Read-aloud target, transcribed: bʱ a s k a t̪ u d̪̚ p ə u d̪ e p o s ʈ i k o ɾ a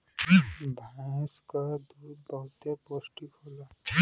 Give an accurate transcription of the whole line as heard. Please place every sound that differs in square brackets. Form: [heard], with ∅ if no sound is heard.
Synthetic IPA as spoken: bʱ a s k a [d̪] u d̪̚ [b] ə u [t̪] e p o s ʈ i k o [l] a